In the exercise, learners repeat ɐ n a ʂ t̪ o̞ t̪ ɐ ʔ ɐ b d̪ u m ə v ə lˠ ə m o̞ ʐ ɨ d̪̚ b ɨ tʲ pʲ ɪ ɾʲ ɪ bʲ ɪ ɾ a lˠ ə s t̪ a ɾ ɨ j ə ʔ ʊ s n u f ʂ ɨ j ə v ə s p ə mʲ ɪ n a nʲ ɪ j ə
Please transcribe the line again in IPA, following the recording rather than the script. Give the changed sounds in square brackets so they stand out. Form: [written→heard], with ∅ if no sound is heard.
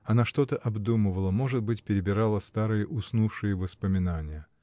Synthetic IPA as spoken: ɐ n a ʂ t̪ o̞ t̪ [ɐ→ə] ʔ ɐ b d̪ u m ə v ə lˠ ə m o̞ ʐ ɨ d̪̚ b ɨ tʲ pʲ ɪ ɾʲ ɪ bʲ ɪ ɾ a lˠ ə s t̪ a ɾ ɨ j ə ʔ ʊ s n u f ʂ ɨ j ə v ə s p ə mʲ ɪ n a nʲ ɪ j ə

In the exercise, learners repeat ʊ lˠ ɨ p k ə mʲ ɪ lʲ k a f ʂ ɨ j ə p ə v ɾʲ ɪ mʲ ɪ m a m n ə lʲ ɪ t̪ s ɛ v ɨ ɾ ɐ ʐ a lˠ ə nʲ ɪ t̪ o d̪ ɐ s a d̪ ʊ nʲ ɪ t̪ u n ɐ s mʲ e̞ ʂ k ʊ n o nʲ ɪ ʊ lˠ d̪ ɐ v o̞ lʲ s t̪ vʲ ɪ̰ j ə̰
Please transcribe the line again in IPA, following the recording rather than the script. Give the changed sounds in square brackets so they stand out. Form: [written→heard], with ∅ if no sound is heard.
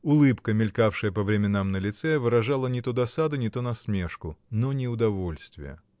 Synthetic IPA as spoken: ʊ lˠ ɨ p k ə mʲ ɪ lʲ k a f ʂ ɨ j ə p ə v ɾʲ ɪ mʲ ɪ [m→n] a m n ə lʲ ɪ t̪ s ɛ v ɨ ɾ ɐ ʐ a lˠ ə nʲ ɪ t̪ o d̪ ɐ s a d̪ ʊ nʲ ɪ t̪ [u→o] n ɐ s mʲ e̞ ʂ k ʊ n o nʲ ɪ ʊ [lˠ→∅] d̪ ɐ v o̞ lʲ s t̪ vʲ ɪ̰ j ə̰

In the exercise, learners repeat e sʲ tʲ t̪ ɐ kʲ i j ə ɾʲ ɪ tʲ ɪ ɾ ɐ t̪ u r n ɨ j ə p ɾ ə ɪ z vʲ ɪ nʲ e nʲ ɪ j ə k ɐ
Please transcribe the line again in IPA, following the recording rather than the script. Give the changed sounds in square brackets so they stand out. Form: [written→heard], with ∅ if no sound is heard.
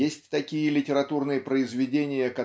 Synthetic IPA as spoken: e sʲ tʲ t̪ ɐ kʲ i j ə [ɾʲ→lʲ] ɪ tʲ ɪ ɾ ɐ t̪ u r n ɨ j ə p ɾ ə ɪ z vʲ ɪ [nʲ→dʲ] e nʲ ɪ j ə k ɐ

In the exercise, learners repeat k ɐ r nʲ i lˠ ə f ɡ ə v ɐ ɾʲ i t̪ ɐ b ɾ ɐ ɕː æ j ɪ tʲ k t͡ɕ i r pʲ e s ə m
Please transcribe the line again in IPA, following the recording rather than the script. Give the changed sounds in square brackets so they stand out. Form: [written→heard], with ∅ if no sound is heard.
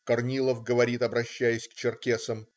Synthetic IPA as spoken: k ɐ r nʲ i lˠ ə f ɡ ə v ɐ ɾʲ i t̪ ɐ b ɾ ɐ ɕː æ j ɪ [tʲ→sʲ] k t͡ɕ [i→ɪ] r [pʲ→kʲ] e s ə m

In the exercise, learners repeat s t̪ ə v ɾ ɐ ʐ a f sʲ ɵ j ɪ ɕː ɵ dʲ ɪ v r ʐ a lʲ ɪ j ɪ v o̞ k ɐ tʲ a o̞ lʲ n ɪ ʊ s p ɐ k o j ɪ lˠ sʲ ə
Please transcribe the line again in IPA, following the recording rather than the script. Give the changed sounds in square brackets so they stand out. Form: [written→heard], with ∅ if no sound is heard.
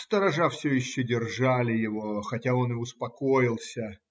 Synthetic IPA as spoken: s t̪ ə [v→∅] ɾ ɐ ʐ a f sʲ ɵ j ɪ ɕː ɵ dʲ ɪ [v→∅] r ʐ a lʲ ɪ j ɪ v o̞ [k→x] ɐ tʲ a o̞ [lʲ→∅] n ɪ ʊ s p ɐ k o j ɪ lˠ sʲ ə

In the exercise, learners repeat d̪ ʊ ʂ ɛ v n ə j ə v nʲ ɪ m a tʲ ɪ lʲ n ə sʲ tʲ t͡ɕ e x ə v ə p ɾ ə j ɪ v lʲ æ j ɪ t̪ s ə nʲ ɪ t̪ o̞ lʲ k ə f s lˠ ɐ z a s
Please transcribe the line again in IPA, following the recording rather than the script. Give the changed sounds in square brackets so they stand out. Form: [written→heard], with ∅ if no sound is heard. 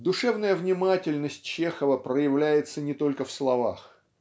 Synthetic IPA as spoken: d̪ ʊ ʂ ɛ v n ə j ə v nʲ ɪ m a tʲ ɪ lʲ n ə sʲ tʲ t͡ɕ e x ə v ə p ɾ ə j ɪ v lʲ æ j ɪ t̪ s ə nʲ ɪ t̪ o̞ lʲ k ə f s lˠ ɐ [z→v] a [s→x]

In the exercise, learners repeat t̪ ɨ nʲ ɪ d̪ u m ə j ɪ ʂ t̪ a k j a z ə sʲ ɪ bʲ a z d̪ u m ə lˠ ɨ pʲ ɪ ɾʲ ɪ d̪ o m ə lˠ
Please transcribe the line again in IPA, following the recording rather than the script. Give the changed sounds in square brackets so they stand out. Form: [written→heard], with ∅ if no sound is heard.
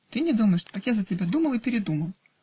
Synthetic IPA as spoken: t̪ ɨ nʲ ɪ d̪ u m ə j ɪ ʂ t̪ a k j a z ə [sʲ→tʲ] ɪ bʲ a [z→∅] d̪ u m ə lˠ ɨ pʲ ɪ ɾʲ ɪ d̪ [o→u] m ə lˠ

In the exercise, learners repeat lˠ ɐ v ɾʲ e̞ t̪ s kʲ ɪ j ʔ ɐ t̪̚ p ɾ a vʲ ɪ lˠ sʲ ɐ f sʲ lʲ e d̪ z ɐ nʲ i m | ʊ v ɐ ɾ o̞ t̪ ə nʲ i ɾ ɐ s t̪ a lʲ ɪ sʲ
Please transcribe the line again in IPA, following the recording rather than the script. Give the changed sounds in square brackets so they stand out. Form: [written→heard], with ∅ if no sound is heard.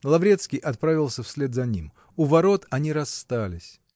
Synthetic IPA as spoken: lˠ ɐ v ɾʲ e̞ t̪ s kʲ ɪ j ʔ ɐ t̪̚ p ɾ a vʲ ɪ lˠ sʲ [ɐ→ə] f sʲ lʲ e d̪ z ɐ nʲ i m | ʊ v ɐ ɾ o̞ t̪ [ə→ɐ] nʲ i ɾ ɐ s t̪ a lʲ ɪ sʲ

